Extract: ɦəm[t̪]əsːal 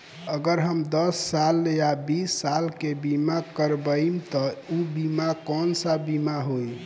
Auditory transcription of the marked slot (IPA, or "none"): d̪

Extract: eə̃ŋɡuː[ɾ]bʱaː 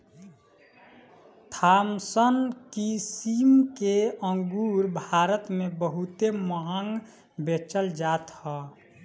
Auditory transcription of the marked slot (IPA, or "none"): ɾ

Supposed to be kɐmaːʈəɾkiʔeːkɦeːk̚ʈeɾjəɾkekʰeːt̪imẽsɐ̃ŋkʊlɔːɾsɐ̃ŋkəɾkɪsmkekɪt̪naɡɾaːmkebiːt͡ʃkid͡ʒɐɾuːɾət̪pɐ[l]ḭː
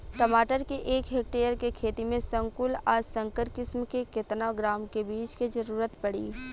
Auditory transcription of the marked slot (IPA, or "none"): ɽ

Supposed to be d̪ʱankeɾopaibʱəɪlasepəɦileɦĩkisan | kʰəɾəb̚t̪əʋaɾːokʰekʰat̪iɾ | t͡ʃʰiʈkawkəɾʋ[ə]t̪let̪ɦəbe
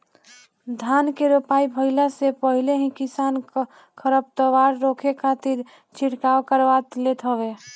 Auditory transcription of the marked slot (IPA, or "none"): a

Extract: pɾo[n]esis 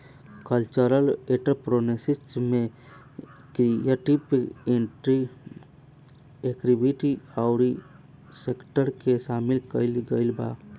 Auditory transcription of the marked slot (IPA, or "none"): n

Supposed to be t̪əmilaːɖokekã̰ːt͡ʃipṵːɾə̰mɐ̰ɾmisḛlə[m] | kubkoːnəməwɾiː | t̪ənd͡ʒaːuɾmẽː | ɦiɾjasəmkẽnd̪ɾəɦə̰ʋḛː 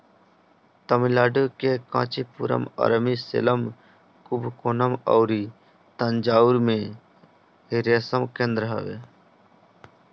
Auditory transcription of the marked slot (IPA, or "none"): m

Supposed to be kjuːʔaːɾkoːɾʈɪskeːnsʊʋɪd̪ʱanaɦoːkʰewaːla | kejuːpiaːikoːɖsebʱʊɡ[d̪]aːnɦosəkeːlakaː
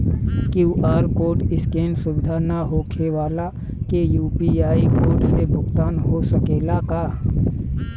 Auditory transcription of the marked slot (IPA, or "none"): t̪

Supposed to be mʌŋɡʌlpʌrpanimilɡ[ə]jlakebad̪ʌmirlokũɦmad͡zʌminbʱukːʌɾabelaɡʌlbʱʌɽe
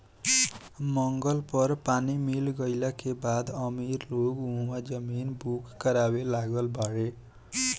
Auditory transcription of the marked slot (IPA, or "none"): ʌ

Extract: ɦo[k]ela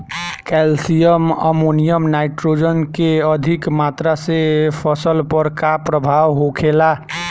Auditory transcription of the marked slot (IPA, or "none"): kʰ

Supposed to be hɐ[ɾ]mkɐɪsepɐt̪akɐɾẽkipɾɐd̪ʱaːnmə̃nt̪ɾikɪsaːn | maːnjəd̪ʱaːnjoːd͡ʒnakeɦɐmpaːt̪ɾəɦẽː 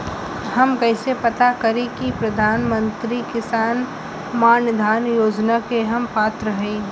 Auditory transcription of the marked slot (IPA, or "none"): none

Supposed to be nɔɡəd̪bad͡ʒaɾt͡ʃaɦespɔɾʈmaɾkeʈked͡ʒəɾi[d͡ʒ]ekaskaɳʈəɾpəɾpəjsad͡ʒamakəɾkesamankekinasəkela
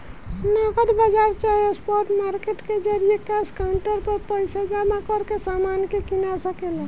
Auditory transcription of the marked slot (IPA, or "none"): none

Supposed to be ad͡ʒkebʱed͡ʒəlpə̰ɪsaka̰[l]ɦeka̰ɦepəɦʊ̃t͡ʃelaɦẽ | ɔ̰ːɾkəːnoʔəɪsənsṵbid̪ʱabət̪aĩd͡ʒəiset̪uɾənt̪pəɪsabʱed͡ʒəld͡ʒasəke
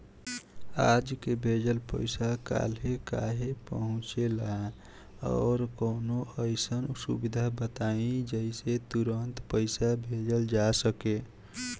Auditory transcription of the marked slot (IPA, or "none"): l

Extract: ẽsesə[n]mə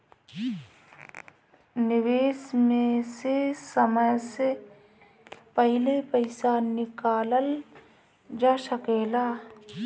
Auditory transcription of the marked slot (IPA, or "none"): none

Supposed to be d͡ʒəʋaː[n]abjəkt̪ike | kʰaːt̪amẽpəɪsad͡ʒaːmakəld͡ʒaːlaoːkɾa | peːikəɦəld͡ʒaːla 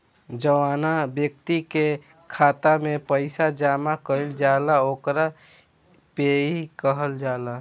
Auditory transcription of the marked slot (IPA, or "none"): n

